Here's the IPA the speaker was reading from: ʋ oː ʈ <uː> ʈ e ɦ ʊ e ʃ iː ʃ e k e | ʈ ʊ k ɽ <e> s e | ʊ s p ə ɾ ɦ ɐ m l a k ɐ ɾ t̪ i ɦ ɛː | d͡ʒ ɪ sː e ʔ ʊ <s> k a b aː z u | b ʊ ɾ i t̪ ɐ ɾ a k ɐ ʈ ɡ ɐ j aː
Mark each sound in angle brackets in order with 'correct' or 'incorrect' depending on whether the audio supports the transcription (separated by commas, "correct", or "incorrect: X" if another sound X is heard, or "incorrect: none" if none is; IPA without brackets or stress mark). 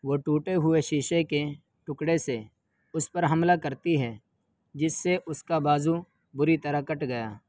correct, correct, correct